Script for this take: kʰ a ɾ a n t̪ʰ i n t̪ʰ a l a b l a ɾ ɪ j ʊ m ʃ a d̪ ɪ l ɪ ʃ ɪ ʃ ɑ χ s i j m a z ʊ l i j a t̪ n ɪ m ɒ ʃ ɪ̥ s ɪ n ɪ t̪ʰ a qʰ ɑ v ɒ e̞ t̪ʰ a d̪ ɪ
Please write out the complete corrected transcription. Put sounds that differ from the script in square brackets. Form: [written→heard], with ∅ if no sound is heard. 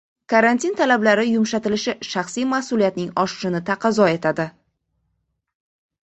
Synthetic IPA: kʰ a ɾ a n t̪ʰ i n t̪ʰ a l a b l a ɾ ɪ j ʊ m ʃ a [d̪→t̪] ɪ l ɪ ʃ ɪ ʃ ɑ χ s i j m a [z→s] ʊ l i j a t̪ n ɪ [m→ŋ] ɒ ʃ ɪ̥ [s→ʃ] ɪ n ɪ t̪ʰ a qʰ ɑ [v→z] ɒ e̞ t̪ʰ a d̪ ɪ